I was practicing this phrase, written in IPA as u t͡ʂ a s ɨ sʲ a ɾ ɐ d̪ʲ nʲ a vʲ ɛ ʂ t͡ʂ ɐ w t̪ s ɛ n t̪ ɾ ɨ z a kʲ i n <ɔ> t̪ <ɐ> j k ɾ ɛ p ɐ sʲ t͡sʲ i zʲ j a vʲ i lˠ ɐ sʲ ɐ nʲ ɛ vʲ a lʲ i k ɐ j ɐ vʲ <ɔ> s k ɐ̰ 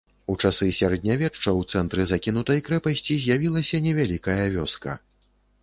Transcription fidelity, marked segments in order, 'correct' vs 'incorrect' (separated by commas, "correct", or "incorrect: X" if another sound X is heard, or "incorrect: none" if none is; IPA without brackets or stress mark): incorrect: u, correct, correct